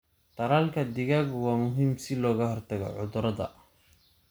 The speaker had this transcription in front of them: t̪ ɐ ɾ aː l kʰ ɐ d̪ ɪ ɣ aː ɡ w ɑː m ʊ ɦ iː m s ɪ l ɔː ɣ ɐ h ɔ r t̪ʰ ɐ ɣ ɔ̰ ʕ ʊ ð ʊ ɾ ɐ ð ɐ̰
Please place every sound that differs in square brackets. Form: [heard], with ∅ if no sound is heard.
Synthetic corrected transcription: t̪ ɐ ɾ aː l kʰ ɐ d̪ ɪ ɣ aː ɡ w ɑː m ʊ ɦ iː m s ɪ l ɔː ɣ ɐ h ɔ r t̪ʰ ɐ ɣ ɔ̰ ʕ ʊ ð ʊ ɾ ɐ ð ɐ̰